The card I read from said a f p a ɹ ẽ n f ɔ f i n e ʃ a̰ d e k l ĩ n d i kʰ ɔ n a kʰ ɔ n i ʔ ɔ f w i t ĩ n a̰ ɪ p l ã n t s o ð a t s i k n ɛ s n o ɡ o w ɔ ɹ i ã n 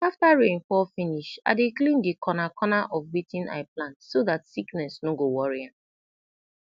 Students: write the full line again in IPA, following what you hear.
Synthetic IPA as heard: a f t a ɹ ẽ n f ɔ f i n i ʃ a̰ d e k l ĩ n d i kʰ ɔ n a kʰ ɔ n a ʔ ɔ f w i t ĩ n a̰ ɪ p l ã n t s o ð a t s i k n ɛ s n o ɡ o w ɔ ɹ i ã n